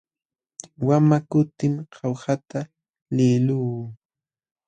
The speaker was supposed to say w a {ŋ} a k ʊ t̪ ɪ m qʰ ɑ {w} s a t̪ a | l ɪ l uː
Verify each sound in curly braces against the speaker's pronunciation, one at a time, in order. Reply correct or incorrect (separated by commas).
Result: incorrect, correct